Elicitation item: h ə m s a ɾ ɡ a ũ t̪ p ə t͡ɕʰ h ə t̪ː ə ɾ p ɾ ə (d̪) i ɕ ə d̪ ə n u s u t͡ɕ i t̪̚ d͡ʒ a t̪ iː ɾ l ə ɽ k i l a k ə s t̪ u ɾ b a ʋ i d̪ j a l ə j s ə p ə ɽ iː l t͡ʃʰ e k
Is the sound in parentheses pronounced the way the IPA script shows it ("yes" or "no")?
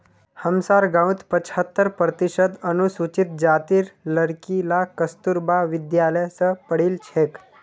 no